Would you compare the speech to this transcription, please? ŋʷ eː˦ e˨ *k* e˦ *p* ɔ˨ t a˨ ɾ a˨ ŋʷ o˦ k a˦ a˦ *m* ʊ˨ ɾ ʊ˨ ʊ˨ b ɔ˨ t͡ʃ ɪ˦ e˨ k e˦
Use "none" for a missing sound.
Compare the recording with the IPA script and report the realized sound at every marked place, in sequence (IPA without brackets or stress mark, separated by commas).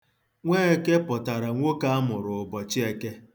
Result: k, p, m